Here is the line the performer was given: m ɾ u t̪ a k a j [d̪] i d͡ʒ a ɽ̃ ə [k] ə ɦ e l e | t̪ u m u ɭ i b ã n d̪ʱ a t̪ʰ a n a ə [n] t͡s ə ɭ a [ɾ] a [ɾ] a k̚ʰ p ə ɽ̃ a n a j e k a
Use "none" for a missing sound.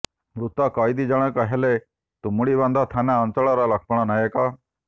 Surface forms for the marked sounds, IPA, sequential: d̪, k, n, ɾ, l

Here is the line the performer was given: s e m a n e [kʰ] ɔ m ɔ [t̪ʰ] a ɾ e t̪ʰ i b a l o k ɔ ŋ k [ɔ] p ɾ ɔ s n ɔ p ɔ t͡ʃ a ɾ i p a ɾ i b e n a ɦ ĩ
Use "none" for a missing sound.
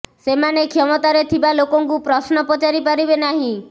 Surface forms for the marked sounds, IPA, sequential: kʰ, t̪, u

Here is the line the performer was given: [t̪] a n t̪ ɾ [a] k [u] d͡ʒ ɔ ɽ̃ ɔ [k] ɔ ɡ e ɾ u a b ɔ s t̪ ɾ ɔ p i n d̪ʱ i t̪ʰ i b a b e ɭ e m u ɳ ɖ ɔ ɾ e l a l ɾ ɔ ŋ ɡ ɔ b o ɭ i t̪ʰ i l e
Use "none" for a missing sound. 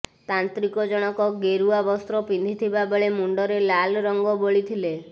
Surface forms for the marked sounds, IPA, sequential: t̪, i, ɔ, k

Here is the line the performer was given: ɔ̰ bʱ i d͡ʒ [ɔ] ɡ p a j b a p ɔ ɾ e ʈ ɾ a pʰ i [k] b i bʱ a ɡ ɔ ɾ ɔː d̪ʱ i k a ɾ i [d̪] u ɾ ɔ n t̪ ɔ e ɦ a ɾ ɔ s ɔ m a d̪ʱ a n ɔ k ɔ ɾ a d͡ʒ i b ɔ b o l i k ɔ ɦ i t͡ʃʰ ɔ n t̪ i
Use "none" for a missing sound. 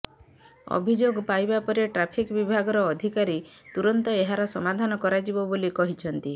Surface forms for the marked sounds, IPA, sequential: o, k, t̪

